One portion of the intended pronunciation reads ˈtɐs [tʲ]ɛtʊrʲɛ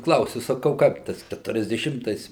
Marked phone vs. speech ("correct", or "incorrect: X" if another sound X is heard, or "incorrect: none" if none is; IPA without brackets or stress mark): incorrect: kʲ